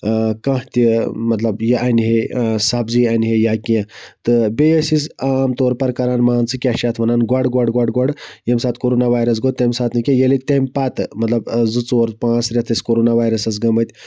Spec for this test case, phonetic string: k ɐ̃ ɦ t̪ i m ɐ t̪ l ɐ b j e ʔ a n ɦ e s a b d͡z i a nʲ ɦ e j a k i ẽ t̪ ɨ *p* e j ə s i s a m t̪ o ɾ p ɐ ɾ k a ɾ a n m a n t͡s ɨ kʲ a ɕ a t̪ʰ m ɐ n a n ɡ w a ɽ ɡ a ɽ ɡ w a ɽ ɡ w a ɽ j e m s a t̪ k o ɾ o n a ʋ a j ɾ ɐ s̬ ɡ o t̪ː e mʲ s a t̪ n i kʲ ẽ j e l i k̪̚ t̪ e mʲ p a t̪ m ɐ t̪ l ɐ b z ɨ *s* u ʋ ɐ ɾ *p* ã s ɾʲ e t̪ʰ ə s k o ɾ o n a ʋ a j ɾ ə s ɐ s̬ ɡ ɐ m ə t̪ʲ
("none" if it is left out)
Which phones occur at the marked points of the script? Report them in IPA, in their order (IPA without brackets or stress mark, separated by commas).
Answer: b, t͡s, p